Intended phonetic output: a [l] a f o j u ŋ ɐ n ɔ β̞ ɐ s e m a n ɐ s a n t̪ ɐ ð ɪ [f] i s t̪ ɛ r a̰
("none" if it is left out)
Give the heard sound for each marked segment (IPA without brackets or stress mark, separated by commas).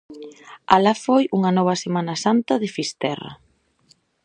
l, f